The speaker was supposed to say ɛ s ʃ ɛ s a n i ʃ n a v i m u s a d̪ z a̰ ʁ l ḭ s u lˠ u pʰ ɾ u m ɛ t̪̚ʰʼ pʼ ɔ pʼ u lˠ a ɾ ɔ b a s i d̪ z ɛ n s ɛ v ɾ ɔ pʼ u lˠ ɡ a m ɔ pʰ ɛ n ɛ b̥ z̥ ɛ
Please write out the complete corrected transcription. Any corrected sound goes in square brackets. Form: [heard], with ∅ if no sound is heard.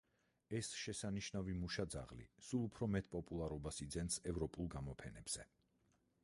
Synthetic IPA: ɛ s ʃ ɛ s a n i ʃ n a v i m u [ʃ] a d̪ z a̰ ʁ l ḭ s u lˠ u pʰ ɾ [ɔ] m ɛ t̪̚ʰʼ pʼ ɔ pʼ u lˠ a ɾ ɔ b a s i d̪ z ɛ n s ɛ v ɾ ɔ pʼ u lˠ ɡ a m ɔ pʰ ɛ n ɛ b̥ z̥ ɛ